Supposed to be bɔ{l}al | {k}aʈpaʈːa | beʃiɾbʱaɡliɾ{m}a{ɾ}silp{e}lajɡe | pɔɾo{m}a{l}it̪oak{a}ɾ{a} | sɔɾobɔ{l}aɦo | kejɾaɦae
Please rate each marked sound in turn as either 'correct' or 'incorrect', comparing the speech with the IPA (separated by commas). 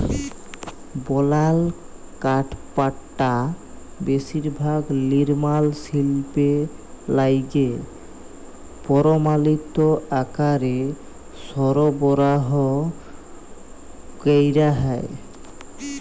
correct, correct, correct, incorrect, correct, correct, correct, correct, incorrect, incorrect